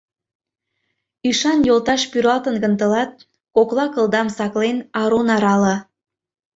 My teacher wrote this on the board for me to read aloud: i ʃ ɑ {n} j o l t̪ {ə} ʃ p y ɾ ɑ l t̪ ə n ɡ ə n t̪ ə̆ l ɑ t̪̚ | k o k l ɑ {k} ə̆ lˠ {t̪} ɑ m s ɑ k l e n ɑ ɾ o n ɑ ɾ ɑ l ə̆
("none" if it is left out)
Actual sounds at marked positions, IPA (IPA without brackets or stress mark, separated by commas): n, ɑ, k, d̪